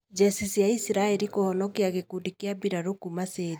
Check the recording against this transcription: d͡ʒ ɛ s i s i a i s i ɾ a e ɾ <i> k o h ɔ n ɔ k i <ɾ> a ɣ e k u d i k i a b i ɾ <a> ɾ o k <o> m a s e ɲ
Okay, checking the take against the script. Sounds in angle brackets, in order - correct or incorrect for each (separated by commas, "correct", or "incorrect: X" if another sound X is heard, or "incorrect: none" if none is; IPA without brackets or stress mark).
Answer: correct, incorrect: none, correct, incorrect: u